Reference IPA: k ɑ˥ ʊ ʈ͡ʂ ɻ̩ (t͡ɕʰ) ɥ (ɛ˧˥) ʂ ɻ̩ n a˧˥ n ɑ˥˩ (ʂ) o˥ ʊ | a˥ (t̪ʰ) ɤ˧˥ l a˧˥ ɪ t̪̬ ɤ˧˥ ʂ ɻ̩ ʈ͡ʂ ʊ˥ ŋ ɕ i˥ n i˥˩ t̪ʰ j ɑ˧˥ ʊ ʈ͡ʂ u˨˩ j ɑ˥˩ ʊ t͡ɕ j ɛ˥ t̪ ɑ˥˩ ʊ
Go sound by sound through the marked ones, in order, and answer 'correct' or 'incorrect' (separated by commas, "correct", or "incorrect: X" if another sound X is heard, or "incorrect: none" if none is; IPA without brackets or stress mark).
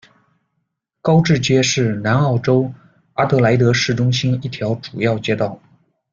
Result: incorrect: t͡ɕ, incorrect: ɛ˥, incorrect: ʈ͡ʂ, incorrect: t̪